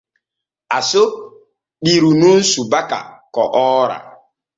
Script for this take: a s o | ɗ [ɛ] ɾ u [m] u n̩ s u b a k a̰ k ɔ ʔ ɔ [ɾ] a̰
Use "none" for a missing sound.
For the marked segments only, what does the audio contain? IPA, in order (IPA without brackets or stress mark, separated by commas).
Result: i, n, ɾ